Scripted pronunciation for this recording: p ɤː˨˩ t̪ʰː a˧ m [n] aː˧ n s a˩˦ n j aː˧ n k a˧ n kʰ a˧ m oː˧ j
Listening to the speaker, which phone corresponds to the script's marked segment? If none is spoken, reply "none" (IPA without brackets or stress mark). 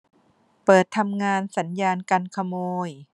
ŋ